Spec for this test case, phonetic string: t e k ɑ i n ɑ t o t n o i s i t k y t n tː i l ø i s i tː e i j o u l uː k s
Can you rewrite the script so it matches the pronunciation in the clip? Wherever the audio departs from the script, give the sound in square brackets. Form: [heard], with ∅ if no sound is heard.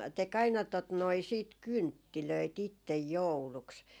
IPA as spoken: t e k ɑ i n ɑ t o t n o i s [iː] t k y [∅] n tː i l ø i [t] i tː e [j] j o u l [u] k s